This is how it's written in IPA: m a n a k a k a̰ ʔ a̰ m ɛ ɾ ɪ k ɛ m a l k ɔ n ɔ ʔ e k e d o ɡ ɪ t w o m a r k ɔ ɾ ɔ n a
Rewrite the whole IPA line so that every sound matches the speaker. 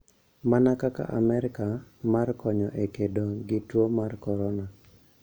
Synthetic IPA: m a n a k a k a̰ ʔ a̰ m ɛ ɾ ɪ k a m a r k ɔ ɲ ɔ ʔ e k e d o ɡ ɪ t w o m a r k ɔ ɾ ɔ n a